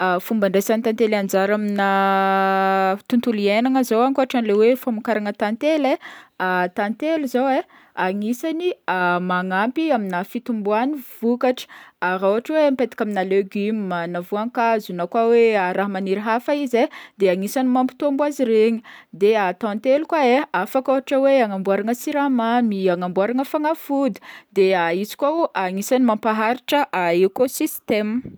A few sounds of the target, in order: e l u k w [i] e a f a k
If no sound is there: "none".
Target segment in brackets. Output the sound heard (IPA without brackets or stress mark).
a